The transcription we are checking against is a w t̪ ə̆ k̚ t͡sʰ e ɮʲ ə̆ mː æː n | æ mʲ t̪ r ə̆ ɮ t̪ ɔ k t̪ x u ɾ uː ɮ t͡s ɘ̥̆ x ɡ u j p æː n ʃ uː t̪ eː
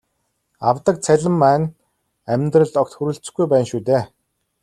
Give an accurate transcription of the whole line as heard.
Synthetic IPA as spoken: a w t̪ ə̆ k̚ t͡sʰ æ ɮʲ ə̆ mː æː n | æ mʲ t̪ r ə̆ ɮ t̪ ɔ k t̪ x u ɾ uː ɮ t͡s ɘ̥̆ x ɡ u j p æː n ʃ uː t̪ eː